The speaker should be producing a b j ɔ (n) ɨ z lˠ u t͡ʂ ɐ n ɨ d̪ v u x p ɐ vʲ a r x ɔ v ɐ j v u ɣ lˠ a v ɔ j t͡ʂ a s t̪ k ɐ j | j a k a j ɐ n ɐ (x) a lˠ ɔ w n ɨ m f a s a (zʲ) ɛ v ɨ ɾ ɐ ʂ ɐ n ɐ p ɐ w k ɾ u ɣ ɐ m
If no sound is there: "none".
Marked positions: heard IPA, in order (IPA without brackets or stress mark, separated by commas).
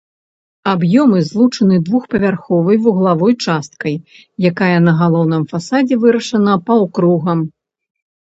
m, ɣ, d͡zʲ